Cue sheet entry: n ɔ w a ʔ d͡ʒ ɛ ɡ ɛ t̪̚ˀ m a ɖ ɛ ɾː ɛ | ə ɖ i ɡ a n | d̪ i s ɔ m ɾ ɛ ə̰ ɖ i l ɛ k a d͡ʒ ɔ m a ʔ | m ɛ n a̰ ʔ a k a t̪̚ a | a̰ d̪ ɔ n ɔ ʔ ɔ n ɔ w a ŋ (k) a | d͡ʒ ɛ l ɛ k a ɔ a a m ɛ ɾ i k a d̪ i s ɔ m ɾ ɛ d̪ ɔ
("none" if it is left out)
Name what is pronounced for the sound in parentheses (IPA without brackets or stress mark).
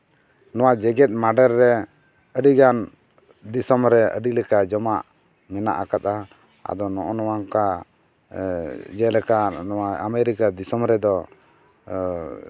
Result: k